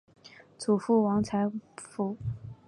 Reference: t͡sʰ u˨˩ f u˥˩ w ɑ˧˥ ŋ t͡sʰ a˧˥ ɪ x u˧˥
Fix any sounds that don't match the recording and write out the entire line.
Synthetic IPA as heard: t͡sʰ u˨˩ f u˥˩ w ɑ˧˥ ŋ t͡sʰ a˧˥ ɪ f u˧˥